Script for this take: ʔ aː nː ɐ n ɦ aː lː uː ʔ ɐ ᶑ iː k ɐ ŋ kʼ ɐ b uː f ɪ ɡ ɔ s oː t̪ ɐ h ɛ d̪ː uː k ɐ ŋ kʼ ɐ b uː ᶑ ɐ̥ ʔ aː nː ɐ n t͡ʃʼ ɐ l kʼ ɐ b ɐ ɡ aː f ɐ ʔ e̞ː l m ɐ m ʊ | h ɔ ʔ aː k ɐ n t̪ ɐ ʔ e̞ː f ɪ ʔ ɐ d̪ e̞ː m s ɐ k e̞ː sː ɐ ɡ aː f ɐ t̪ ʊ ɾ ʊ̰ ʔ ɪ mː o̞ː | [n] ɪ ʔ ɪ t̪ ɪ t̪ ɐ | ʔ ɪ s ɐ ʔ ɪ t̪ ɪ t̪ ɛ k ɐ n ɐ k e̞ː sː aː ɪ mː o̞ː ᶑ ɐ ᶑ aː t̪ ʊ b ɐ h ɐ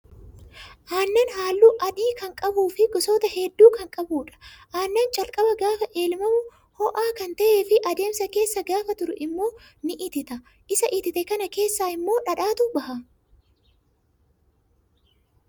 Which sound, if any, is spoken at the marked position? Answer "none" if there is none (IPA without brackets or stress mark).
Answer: n